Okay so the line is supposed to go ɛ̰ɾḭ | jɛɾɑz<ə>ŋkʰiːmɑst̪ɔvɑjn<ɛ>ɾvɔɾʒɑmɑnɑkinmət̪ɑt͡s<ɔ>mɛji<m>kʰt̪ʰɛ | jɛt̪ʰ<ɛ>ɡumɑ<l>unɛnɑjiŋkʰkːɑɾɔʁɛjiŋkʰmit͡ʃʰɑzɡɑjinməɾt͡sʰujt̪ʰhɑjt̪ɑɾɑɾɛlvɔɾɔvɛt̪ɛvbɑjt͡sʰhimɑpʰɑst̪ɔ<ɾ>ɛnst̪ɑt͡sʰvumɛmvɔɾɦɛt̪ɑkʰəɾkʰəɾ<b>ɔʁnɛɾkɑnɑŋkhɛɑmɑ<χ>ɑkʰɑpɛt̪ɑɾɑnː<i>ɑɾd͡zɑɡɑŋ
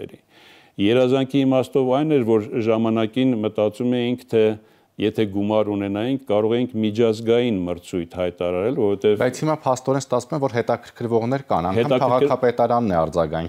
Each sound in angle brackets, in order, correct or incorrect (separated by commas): incorrect, correct, incorrect, incorrect, correct, incorrect, correct, incorrect, incorrect, incorrect